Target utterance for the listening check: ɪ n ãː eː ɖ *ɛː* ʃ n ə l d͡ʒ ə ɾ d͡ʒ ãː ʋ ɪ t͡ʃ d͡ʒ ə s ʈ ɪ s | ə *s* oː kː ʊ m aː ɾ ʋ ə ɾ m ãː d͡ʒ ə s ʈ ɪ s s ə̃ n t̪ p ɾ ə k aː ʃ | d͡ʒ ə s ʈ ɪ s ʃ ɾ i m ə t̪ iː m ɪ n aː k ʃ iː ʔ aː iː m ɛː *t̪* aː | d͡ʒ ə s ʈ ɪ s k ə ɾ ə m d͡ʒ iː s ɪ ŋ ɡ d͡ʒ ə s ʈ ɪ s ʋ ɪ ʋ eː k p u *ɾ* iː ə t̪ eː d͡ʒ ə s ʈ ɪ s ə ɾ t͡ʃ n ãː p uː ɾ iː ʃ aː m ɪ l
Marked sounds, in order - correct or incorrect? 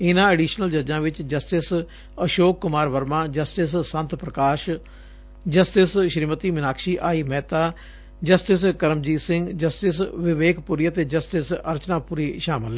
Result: incorrect: iː, incorrect: ʃ, correct, correct

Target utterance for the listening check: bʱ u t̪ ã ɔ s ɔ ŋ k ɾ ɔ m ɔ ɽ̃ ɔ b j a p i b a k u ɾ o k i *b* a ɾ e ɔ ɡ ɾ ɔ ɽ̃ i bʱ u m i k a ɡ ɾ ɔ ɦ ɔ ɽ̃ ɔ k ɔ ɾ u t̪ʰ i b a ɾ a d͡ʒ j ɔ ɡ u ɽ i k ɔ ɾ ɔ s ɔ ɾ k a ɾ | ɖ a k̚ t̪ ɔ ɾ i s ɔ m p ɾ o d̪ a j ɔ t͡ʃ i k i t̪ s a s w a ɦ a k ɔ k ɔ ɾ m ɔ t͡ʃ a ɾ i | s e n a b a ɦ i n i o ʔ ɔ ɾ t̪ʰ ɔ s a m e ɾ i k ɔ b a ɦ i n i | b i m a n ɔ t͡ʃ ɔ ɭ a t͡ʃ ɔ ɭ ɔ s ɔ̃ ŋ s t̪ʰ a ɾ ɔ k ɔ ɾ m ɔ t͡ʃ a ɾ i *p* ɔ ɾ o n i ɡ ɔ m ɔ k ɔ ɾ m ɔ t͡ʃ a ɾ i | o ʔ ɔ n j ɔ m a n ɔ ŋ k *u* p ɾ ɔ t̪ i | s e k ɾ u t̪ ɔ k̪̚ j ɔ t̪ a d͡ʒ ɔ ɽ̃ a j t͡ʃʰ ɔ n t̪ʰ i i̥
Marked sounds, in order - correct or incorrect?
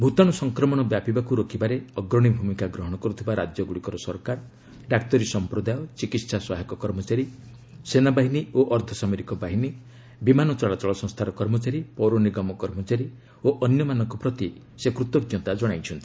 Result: correct, correct, incorrect: ɔ

